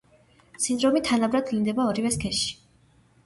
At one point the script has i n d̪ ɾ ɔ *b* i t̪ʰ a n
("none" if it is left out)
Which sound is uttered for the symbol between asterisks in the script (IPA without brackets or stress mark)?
m